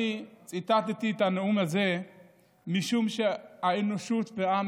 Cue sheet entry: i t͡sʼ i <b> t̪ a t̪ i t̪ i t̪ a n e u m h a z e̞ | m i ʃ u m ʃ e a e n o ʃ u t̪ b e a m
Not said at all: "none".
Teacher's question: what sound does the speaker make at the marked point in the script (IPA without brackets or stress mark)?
none